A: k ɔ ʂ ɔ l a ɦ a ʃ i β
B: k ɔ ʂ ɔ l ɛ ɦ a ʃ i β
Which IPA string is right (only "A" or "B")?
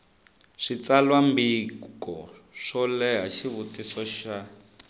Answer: B